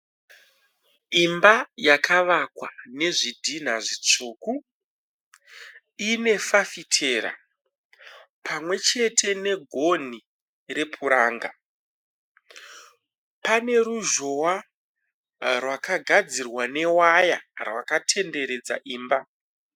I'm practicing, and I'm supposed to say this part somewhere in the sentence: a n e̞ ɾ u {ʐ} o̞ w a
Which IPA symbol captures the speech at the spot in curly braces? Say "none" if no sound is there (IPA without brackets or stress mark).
ʒ